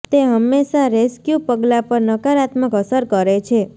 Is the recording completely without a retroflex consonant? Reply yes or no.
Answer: yes